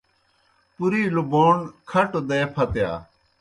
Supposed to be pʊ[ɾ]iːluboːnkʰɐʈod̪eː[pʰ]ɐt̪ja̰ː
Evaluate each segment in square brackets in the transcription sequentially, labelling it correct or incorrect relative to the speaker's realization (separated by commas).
correct, correct